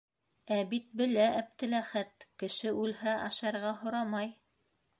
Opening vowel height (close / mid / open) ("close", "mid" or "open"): open